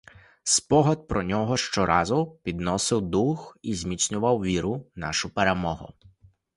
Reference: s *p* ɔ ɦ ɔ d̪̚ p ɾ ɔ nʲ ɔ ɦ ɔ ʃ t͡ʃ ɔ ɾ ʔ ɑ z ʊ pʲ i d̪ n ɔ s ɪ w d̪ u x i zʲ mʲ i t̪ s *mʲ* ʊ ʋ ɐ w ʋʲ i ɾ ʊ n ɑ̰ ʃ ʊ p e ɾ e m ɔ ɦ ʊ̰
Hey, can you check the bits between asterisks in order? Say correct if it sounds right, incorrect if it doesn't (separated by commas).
correct, incorrect